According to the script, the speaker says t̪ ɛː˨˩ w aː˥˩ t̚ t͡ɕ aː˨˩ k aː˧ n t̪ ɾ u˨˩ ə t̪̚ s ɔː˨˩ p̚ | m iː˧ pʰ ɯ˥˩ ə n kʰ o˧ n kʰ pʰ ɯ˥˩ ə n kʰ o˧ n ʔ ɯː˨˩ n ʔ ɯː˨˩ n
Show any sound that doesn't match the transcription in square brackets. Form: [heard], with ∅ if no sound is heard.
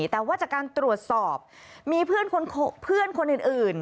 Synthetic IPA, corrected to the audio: t̪ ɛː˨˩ w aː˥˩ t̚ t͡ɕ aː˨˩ k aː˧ n t̪ ɾ u˨˩ ə t̪̚ s ɔː˨˩ p̚ | m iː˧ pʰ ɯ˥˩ ə n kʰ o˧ n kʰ pʰ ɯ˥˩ ə n kʰ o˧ n ʔ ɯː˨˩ n ʔ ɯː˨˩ n